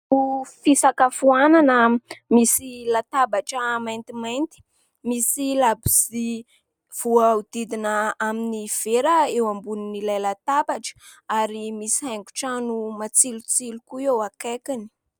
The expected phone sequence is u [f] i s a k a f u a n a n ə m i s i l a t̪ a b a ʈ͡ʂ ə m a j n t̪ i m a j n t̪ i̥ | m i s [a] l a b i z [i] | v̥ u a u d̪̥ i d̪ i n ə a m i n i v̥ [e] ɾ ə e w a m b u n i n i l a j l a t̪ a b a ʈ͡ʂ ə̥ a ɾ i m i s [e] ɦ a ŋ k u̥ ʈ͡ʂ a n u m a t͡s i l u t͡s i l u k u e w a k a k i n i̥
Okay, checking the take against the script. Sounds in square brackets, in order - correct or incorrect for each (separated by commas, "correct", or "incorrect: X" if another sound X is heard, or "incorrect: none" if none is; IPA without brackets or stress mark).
correct, incorrect: i, correct, correct, incorrect: i